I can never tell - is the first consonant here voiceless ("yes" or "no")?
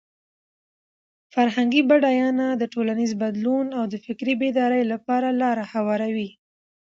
yes